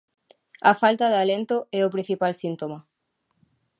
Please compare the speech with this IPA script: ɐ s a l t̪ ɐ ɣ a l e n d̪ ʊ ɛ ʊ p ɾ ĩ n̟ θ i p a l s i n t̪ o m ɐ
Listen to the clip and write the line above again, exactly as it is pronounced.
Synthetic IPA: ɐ f a l t̪ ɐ ð a l e n t̪ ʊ ɛ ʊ p ɾ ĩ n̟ θ i p a l s i n t̪ o m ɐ